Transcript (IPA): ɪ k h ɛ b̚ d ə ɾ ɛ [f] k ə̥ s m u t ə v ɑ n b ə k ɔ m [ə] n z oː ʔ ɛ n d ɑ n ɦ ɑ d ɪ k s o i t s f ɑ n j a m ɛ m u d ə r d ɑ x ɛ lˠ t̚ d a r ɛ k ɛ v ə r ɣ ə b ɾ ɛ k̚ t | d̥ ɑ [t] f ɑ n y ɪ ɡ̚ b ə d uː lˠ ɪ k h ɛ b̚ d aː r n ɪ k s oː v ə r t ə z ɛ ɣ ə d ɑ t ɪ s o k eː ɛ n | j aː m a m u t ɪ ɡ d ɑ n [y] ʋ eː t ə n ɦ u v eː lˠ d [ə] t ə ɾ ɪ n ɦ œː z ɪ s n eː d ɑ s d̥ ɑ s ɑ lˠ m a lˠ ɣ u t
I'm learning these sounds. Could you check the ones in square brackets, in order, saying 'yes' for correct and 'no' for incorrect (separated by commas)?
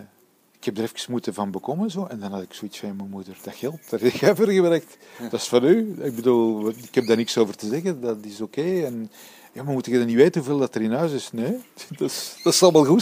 yes, yes, no, no, no